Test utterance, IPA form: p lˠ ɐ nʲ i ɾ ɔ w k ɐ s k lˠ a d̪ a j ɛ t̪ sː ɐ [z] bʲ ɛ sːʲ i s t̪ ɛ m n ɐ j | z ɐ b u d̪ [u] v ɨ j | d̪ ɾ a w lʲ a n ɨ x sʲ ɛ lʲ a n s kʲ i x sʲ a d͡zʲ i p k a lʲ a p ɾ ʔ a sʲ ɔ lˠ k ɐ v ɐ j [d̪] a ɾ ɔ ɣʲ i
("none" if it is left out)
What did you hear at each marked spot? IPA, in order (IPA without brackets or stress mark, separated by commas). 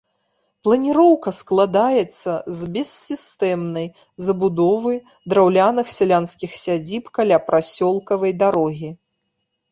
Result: z, ɔ, d̪